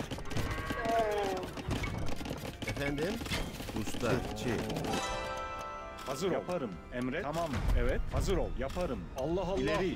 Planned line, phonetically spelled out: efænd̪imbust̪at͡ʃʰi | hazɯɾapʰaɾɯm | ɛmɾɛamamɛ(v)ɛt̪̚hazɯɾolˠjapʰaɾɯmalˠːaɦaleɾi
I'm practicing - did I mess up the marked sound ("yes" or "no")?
no